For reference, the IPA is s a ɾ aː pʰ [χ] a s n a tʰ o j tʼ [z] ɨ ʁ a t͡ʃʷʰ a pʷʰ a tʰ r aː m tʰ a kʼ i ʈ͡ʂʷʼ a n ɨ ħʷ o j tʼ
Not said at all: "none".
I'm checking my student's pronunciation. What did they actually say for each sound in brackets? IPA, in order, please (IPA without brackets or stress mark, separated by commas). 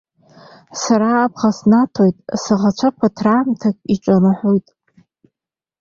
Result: χ, s